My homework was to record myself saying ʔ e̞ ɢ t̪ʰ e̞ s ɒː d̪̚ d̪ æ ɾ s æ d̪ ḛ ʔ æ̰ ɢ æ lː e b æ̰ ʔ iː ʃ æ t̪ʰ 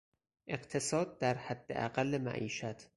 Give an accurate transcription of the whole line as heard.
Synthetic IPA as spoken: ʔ e̞ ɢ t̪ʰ e̞ s ɒː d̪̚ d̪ æ ɾ h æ d̪ː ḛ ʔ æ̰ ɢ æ lː e m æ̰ ʔ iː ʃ æ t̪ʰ